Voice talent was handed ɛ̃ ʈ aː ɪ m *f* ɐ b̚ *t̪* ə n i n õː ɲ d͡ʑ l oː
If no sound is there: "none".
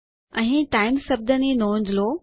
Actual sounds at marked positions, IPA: s, d̪

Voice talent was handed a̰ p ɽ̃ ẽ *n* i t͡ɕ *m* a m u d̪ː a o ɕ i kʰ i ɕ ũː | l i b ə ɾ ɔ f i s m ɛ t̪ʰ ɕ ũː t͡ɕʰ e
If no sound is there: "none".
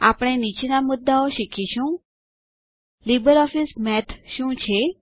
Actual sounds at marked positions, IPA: n, n

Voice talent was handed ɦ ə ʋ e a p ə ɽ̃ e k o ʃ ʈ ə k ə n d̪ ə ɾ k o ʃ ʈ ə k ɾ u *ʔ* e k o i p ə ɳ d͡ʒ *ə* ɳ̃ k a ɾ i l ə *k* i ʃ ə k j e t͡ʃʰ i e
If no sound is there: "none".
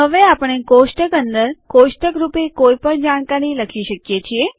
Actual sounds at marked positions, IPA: p, a, kʰ

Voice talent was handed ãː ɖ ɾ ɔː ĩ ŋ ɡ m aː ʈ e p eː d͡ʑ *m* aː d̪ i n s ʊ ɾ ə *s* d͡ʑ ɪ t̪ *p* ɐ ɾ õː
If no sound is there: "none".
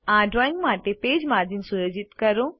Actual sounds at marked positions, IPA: m, none, k

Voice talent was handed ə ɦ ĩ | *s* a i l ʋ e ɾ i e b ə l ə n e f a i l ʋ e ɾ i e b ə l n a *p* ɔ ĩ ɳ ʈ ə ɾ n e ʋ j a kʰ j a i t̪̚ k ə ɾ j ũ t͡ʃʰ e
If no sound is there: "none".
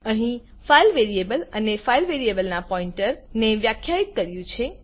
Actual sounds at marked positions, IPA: f, p

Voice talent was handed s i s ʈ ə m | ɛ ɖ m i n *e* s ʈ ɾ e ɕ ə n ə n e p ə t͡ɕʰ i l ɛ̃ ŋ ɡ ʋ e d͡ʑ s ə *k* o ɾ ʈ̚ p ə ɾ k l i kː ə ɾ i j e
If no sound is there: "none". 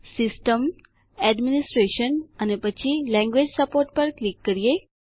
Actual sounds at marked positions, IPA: i, p

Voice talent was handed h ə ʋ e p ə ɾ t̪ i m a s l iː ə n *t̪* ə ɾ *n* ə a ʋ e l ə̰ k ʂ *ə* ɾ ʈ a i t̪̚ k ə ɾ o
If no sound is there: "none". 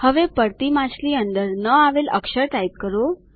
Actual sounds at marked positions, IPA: d̪, n, ə

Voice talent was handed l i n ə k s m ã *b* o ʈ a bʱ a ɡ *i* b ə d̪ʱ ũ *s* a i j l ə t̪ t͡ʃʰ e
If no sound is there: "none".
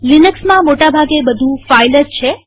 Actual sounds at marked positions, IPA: m, e, f

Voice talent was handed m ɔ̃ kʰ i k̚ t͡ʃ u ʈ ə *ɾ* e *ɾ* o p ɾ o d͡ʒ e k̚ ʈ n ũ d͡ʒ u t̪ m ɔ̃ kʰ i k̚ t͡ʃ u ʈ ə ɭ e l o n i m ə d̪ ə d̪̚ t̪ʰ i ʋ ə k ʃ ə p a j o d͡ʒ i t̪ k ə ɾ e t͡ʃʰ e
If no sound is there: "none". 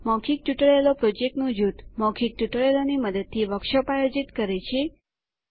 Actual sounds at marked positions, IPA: ɭ, l

